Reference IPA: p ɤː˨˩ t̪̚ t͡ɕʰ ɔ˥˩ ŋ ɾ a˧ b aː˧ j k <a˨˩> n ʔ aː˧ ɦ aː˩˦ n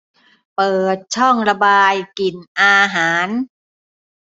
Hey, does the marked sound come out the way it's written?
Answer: no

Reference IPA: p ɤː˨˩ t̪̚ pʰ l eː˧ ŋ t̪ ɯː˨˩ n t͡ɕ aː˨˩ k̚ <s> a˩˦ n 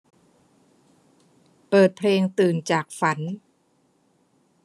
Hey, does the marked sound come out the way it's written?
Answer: no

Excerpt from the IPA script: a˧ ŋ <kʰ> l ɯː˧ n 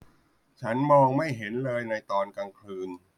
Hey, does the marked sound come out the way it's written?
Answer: yes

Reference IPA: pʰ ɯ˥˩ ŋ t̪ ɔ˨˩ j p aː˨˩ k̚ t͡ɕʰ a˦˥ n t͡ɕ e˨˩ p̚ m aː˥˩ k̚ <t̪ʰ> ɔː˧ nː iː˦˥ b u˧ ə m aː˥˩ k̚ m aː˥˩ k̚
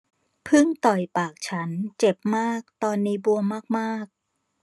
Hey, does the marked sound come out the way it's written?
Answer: no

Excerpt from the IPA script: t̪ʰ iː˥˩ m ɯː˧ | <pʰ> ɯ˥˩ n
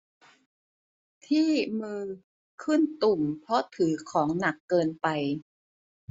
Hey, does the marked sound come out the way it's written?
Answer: no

